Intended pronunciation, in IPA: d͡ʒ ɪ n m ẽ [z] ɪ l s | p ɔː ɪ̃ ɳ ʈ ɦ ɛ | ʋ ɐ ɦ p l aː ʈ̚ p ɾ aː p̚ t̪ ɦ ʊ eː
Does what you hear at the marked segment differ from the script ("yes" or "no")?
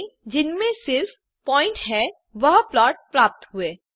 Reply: yes